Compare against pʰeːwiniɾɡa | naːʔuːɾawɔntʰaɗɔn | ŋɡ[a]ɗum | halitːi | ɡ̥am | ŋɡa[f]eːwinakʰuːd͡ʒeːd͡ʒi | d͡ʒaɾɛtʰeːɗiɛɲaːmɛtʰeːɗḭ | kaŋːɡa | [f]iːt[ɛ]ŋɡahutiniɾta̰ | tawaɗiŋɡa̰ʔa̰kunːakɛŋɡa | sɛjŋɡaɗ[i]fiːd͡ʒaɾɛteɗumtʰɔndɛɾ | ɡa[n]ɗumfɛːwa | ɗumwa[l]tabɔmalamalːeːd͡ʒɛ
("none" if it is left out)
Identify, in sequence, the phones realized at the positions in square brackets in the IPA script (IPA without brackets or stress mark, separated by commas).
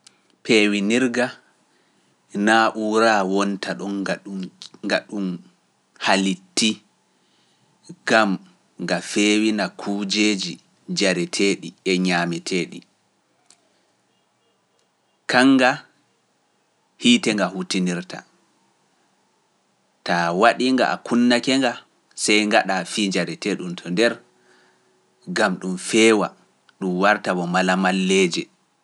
a, f, h, ɛ, a, m, ɾ